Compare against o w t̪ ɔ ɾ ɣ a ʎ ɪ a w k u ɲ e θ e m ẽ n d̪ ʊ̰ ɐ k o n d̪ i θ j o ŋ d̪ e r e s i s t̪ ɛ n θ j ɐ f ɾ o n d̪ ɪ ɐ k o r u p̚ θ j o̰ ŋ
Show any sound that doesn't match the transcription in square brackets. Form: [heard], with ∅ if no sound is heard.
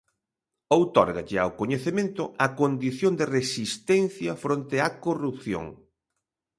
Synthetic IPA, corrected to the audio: o w t̪ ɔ ɾ ɣ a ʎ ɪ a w k [o] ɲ e θ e m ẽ n [t̪] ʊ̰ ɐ k o n d̪ i θ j o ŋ d̪ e r e s i s t̪ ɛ n θ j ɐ f ɾ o n [t̪] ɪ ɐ k o r u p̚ θ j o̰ ŋ